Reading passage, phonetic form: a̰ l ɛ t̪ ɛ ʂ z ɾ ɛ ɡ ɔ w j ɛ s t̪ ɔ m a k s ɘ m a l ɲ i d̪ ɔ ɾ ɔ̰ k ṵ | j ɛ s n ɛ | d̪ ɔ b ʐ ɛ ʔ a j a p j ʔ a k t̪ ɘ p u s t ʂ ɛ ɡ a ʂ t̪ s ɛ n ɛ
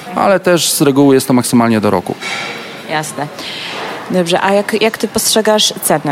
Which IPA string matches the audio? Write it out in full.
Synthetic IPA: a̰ l ɛ t̪ ɛ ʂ z ɾ ɛ ɡ u w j ɛ s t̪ ɔ m a k s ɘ m a l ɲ ɛ d̪ ɔ ɾ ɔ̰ k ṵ | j a s n ɛ | d̪ ɔ b ʐ ɛ ʔ a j a k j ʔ a k t̪ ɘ p ɔ s t ʂ ɛ ɡ a ʂ t̪ s ɛ n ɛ